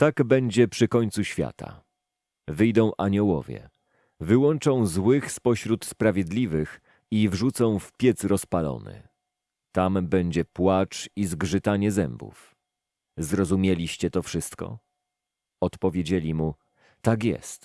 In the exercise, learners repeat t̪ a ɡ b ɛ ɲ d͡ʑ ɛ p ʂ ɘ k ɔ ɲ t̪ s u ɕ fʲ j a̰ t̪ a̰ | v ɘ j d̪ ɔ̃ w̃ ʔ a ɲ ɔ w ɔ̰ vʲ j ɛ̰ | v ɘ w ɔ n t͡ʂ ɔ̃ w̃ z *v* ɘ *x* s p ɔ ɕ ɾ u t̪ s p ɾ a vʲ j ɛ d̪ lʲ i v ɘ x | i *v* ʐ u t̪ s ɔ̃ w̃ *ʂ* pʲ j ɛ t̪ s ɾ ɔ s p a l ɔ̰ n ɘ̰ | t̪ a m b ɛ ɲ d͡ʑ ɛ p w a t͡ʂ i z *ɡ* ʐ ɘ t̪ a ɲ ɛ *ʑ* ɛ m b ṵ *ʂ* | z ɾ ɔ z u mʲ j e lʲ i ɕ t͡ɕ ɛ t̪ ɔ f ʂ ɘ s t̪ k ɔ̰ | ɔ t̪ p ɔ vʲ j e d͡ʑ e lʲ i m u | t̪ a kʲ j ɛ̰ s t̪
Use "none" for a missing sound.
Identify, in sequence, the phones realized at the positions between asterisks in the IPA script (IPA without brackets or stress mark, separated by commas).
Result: w, x, v, f, ɡ, z, f